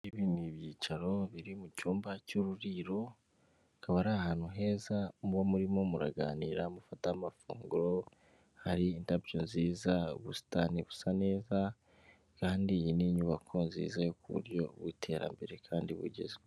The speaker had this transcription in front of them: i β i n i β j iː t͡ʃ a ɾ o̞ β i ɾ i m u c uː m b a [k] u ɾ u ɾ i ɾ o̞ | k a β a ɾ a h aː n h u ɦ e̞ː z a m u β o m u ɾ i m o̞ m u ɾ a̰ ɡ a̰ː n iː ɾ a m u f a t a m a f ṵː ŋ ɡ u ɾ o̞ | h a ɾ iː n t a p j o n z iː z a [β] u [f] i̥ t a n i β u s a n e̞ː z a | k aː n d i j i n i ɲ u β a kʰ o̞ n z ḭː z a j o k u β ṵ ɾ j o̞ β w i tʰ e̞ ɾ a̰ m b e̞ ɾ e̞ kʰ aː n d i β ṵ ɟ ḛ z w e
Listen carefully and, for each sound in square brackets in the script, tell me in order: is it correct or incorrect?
incorrect: c, correct, incorrect: s

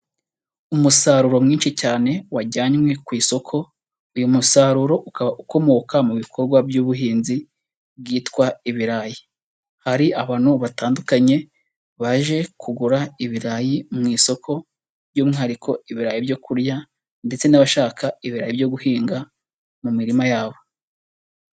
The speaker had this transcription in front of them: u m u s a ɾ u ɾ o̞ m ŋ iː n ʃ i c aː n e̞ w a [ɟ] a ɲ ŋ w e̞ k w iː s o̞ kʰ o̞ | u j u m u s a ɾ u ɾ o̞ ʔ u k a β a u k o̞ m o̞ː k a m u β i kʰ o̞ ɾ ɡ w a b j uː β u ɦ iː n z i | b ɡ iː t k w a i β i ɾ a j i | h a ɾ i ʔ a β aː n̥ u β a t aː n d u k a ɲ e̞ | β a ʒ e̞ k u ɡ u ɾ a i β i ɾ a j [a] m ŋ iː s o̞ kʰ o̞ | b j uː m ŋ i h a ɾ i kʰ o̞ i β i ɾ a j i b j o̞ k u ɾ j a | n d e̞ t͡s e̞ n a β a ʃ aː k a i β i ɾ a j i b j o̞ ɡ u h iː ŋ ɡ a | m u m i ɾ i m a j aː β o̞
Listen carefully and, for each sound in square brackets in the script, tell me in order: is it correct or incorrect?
correct, incorrect: i

